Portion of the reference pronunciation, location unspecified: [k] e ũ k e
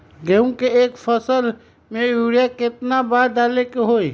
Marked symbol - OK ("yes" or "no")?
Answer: no